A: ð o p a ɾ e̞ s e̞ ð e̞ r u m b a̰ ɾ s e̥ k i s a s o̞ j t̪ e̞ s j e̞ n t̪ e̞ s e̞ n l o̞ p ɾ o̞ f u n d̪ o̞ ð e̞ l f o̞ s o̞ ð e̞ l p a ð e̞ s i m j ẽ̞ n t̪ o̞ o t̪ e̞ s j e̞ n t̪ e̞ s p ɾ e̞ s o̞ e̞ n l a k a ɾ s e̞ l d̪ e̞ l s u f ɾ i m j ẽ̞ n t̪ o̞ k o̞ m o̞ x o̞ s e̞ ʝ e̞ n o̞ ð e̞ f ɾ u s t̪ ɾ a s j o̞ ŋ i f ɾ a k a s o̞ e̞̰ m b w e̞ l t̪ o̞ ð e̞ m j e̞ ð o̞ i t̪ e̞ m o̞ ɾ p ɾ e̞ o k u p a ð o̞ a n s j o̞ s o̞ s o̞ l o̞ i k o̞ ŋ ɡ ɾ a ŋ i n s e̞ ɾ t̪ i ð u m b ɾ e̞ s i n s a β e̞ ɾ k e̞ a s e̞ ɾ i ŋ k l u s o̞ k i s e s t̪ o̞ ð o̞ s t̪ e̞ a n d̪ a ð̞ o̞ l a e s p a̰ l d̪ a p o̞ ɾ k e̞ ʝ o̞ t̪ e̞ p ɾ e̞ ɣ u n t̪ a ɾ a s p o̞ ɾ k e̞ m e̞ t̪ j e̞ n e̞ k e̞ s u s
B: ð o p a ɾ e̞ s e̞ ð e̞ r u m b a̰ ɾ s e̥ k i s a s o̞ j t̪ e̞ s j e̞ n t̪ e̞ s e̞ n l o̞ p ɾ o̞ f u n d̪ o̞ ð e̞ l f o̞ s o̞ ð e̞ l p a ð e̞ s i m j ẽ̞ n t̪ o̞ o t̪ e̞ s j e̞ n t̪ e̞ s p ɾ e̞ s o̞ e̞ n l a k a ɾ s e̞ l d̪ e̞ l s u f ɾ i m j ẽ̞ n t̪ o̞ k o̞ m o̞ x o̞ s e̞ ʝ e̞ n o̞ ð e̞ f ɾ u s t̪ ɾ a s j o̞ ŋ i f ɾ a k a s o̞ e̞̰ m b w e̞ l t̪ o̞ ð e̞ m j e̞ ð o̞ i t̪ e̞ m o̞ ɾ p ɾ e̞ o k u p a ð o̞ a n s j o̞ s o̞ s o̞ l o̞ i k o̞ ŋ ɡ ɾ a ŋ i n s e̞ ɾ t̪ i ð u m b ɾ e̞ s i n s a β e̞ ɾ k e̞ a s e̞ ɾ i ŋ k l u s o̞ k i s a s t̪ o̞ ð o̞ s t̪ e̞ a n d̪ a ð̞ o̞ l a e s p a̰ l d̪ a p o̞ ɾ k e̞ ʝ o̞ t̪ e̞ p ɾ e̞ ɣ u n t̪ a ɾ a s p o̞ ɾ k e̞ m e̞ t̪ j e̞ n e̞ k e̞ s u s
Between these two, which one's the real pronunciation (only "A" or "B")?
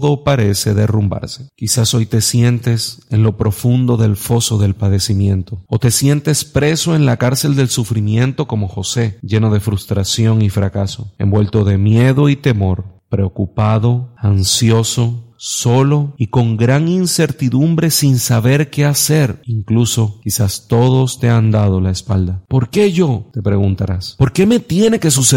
B